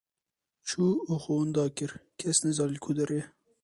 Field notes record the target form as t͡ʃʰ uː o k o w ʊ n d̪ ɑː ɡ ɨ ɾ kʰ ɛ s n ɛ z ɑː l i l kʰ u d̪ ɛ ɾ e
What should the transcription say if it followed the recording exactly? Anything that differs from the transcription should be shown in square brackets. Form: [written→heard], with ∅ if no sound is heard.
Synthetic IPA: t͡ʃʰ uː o [k→x] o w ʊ n d̪ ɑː [ɡ→k] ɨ ɾ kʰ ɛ s n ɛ z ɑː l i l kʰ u d̪ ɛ ɾ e